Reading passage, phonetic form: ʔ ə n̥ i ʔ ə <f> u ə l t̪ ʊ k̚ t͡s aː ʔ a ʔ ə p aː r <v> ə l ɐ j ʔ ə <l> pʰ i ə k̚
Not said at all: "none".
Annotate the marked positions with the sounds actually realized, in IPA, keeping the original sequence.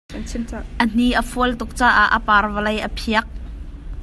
f, v, none

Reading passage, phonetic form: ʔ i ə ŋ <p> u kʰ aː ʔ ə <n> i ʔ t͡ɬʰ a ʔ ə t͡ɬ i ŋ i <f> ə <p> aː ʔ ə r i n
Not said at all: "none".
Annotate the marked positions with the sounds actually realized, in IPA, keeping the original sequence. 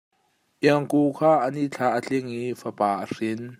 k, n, f, p

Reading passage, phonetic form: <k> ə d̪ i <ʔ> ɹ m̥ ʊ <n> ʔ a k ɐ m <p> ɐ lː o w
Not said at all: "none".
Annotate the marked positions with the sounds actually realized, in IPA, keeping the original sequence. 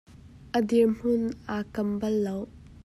ʔ, none, n, b

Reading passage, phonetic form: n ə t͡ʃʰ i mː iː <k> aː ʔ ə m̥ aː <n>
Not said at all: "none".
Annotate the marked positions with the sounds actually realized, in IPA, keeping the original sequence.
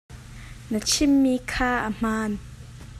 kʰ, n

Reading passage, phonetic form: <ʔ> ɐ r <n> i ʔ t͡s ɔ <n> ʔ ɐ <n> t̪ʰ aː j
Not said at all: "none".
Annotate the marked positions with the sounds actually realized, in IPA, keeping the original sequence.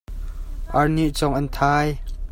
ʔ, n, ŋ, n

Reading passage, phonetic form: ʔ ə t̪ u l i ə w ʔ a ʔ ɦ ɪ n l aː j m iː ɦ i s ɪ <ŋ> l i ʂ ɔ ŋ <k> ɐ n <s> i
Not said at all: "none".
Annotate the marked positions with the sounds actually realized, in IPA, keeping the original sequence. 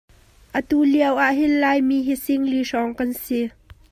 ŋ, k, s

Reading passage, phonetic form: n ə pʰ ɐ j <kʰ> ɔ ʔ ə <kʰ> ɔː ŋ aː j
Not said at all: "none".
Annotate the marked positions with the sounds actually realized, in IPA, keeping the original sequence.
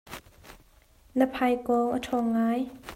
k, tʰ

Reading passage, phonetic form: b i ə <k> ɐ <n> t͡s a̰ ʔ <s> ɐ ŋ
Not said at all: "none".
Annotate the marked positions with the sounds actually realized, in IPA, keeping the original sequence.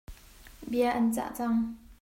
ʔ, n, t͡s

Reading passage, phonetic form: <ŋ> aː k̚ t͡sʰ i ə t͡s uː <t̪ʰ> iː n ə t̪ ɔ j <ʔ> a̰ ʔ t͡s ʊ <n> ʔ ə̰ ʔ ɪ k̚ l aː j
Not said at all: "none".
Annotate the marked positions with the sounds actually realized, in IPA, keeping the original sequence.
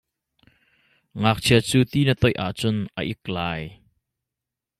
ŋ, t̪, ʔ, n

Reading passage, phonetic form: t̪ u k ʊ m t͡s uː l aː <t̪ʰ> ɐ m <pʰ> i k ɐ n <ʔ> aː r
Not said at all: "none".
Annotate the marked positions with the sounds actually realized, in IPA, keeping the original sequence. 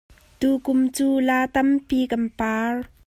t̪, p, p

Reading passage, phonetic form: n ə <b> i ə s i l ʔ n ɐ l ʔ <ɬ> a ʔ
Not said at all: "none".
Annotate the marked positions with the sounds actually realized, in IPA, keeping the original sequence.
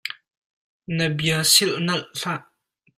b, ɬ

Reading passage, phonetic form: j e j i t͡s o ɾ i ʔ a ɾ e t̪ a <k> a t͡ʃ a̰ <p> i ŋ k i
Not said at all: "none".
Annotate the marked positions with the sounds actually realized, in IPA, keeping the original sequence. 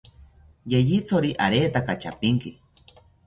k, p

